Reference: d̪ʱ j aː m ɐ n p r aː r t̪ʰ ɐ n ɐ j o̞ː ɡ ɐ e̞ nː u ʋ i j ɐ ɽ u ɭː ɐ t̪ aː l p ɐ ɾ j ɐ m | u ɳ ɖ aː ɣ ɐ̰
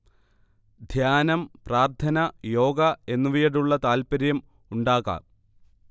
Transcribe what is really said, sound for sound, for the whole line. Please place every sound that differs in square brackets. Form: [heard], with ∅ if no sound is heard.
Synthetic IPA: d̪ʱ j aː [n] ɐ [m] p r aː r t̪ʰ ɐ n ɐ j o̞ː ɡ ɐ e̞ nː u ʋ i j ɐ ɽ u ɭː ɐ t̪ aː l p ɐ ɾ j ɐ m | u ɳ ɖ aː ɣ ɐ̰